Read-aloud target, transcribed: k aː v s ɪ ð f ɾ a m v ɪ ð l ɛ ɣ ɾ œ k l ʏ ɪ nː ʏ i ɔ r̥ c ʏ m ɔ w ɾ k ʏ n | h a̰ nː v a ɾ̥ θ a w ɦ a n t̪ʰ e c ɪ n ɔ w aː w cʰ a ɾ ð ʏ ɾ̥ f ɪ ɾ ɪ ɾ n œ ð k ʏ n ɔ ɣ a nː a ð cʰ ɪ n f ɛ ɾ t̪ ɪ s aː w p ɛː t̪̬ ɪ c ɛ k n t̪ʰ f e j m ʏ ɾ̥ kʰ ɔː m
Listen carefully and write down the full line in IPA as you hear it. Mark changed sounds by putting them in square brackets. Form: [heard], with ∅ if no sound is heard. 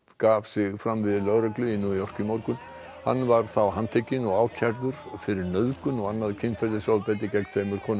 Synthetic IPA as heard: k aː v s ɪ [ɣ] f ɾ a m v ɪ ð l [œ] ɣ ɾ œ k l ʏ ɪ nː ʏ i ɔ r̥ c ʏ m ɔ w ɾ k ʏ n | h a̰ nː v a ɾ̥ θ a w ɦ a n t̪ʰ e c ɪ n ɔ [ɣ] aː w cʰ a ɾ ð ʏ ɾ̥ f ɪ ɾ ɪ ɾ n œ ð k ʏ n ɔ ɣ a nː a ð cʰ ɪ n f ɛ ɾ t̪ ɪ s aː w p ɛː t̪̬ ɪ c ɛ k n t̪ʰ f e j m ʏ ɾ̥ kʰ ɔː [n]